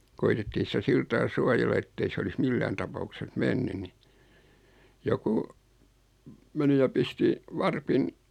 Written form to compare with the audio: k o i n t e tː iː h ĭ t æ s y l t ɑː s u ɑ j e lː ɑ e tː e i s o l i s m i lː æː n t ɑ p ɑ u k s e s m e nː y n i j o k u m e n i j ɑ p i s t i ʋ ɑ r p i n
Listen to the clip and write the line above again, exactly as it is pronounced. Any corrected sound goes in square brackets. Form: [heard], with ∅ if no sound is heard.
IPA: k o i [∅] t e tː iː [s] ĭ t æ s [i] l t ɑː s u ɑ j e lː ɑ e tː e i s o l i s m i lː æː n t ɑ p ɑ u k s e s m e nː y n i j o k u m e n i j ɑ p i s t i ʋ ɑ r p i n